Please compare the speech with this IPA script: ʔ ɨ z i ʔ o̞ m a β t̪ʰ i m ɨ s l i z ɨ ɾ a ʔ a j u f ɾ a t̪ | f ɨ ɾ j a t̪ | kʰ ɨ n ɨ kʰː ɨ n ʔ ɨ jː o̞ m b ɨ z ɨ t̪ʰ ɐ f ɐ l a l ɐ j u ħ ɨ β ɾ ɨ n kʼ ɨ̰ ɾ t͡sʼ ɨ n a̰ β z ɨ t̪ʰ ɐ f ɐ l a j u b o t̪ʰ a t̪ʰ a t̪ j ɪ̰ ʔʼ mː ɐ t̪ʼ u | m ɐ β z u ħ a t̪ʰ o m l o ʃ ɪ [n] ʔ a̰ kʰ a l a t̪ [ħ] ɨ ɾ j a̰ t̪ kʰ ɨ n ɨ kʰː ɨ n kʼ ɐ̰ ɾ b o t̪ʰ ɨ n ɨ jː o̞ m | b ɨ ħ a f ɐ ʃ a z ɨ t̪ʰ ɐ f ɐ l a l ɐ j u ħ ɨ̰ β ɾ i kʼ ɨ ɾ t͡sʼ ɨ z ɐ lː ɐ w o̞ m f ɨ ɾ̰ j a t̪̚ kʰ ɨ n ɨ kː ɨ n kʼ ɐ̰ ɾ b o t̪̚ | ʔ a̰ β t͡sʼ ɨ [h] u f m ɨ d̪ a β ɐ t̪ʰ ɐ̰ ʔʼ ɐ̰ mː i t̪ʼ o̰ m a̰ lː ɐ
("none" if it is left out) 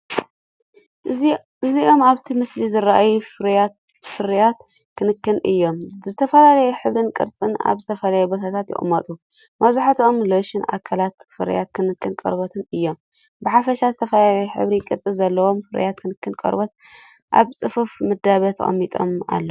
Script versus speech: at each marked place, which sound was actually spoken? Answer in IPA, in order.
n, f, f

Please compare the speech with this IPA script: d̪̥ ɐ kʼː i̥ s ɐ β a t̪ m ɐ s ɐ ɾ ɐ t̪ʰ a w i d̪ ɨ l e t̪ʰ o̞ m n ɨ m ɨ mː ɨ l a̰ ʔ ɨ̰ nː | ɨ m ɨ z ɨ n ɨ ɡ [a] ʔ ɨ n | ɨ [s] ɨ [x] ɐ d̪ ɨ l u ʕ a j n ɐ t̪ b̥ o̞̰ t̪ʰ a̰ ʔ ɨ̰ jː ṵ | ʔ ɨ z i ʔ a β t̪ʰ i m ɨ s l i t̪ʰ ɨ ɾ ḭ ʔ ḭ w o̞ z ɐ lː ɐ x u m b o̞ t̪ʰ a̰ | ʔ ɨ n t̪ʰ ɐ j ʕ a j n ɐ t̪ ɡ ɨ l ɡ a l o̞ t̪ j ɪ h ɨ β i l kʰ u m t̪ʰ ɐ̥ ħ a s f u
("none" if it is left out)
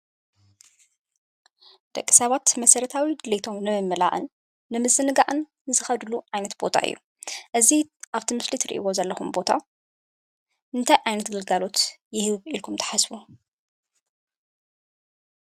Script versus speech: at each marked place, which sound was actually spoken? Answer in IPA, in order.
a, z, x

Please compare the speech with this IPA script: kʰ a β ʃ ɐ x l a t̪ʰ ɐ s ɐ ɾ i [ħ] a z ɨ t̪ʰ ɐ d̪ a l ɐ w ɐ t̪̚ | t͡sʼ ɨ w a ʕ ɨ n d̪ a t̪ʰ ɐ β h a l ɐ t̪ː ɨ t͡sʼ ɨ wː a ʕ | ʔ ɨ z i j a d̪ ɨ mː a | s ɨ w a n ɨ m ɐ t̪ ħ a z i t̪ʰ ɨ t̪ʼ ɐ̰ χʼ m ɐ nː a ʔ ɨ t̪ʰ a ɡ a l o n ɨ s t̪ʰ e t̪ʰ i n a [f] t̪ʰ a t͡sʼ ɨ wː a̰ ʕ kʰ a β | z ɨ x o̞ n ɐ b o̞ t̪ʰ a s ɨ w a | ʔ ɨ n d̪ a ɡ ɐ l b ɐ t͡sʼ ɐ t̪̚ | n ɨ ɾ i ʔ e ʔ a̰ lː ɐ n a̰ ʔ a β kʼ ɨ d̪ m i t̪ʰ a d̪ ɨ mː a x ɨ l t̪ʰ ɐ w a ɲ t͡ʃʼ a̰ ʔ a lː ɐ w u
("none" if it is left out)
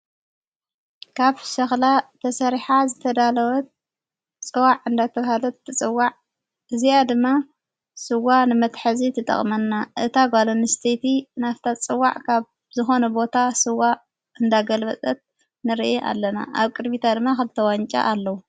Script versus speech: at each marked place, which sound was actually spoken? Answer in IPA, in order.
ħ, f

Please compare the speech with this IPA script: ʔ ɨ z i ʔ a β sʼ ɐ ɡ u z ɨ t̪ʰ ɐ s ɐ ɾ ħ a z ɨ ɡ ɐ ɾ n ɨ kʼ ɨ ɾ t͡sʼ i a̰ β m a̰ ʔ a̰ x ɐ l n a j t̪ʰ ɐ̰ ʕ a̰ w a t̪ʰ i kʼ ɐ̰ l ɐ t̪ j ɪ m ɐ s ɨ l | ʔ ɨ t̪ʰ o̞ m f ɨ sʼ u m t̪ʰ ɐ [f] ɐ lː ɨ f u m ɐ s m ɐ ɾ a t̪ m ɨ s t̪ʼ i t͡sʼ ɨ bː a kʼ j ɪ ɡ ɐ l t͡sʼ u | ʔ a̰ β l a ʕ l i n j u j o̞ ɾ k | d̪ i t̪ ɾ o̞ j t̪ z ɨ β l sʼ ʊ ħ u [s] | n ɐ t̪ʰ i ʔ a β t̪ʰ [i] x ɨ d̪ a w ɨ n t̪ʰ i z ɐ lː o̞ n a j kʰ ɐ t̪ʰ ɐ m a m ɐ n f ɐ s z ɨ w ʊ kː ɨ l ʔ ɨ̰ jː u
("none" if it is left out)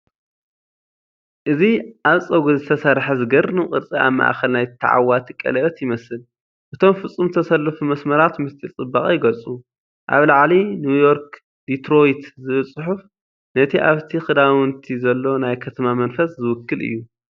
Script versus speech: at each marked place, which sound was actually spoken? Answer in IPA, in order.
s, f, i

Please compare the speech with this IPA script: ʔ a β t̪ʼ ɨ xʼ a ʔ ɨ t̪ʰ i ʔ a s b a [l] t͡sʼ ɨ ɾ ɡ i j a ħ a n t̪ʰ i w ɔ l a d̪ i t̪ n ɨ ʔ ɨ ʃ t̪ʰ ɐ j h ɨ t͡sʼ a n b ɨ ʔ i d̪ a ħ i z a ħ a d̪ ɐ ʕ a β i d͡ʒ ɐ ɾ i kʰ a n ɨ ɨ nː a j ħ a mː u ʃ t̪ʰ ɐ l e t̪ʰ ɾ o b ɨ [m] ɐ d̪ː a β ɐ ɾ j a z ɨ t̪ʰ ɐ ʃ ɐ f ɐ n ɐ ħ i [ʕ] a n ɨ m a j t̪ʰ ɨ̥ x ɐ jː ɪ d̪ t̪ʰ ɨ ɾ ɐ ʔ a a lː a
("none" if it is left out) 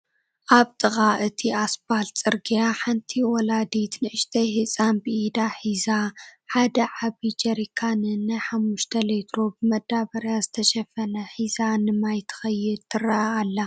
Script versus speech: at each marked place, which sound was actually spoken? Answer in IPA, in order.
l, m, z

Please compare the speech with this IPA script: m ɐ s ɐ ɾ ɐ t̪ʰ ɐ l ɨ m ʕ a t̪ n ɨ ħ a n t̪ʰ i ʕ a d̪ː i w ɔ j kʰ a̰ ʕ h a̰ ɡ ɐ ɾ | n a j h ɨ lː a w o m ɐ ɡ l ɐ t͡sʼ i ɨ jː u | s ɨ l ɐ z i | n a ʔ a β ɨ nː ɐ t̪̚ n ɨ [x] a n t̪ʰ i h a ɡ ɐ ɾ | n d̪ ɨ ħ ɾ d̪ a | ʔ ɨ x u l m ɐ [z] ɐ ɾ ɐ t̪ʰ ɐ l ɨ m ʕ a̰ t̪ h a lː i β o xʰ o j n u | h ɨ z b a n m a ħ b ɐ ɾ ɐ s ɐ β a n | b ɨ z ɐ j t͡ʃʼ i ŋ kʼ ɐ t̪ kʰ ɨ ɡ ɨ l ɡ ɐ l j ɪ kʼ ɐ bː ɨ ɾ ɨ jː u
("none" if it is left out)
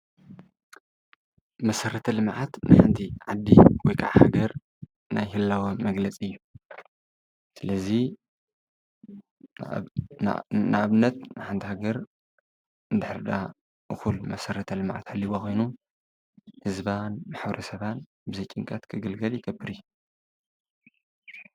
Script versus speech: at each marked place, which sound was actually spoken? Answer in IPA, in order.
ħ, s

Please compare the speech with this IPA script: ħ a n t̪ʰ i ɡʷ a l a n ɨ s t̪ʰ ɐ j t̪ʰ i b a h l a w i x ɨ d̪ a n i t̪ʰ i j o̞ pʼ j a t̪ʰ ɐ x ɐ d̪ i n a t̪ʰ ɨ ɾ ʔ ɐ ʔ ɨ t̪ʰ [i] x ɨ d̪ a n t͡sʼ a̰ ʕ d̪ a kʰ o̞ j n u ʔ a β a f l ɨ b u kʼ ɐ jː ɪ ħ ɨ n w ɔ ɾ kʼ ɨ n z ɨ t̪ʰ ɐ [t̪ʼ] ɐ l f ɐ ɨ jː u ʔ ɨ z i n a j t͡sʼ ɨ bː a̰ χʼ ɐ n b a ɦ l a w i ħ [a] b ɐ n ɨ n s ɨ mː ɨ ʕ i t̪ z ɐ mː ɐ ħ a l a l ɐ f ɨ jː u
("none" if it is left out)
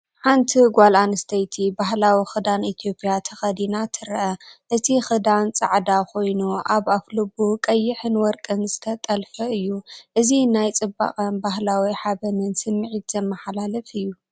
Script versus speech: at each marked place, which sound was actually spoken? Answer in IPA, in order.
i, t̪ʼ, a

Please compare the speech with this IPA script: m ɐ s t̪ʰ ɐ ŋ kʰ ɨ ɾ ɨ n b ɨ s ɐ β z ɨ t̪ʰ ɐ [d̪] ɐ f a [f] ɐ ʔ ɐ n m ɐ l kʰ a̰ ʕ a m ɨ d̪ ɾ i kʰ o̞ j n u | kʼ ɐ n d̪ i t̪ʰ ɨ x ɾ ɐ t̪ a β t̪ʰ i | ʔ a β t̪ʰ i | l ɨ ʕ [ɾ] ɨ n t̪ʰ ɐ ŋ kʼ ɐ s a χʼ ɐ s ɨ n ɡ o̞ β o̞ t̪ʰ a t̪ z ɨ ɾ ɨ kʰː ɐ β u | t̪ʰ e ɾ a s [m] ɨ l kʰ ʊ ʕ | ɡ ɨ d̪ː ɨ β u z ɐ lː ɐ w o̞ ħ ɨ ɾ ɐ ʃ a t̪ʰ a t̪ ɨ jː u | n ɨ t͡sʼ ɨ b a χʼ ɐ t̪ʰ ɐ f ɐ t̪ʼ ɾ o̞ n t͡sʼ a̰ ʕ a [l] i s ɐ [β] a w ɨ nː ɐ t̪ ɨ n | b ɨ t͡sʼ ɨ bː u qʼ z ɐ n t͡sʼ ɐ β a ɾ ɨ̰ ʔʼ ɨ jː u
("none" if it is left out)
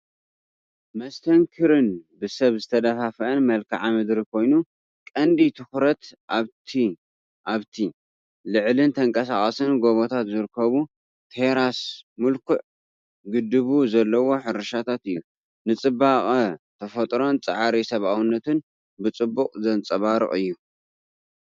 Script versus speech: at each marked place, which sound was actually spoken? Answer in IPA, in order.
d̪, f, l, m, ɾ, β

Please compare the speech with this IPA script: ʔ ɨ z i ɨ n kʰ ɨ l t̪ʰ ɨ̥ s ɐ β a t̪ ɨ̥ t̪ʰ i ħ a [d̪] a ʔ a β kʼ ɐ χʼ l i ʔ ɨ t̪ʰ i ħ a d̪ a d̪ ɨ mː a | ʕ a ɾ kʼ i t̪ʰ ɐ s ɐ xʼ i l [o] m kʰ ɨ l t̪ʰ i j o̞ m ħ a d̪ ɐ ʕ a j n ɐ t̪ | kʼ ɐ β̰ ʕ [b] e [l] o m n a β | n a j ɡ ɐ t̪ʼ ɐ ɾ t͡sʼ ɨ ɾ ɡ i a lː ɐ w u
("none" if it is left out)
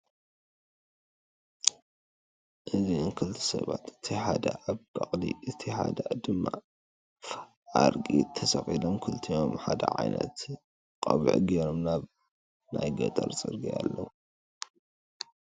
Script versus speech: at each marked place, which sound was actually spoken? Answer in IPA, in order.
d̪, o, ɡ, ɾ

